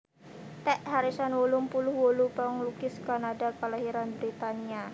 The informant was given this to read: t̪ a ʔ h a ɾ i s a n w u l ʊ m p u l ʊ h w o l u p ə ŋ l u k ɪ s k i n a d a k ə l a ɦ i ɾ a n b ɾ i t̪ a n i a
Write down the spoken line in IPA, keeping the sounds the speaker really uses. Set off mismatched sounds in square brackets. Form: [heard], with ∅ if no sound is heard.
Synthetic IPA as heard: t̪ [ɛ] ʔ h a ɾ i s a n w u l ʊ m p u l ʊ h w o l u p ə ŋ l u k ɪ s k [a] n a d a k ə l a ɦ i ɾ a n b ɾ i t̪ a n i a